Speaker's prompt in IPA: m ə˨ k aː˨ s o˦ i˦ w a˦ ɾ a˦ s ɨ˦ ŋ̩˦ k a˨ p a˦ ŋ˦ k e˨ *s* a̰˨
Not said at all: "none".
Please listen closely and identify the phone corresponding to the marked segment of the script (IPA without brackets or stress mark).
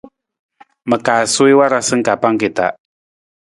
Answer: t